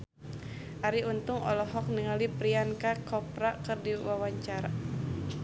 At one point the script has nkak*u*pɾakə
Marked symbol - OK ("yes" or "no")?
no